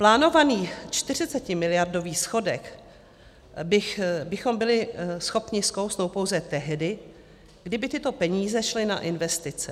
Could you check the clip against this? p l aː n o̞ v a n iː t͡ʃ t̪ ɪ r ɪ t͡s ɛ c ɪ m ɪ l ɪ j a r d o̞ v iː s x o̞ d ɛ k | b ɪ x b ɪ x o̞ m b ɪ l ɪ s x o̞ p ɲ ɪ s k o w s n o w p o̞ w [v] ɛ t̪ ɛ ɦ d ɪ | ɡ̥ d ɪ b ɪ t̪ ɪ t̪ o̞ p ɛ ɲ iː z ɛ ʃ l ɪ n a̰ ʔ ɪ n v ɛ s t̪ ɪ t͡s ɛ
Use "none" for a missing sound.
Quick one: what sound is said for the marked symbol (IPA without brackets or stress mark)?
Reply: z